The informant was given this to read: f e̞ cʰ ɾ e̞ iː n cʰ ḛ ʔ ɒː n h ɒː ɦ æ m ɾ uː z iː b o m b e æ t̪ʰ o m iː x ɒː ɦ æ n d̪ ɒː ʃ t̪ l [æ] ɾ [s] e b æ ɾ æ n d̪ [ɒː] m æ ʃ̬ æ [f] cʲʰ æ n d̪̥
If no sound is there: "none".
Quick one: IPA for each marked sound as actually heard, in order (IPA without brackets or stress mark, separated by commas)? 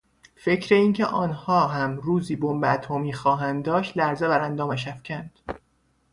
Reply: æ, z, ɒː, f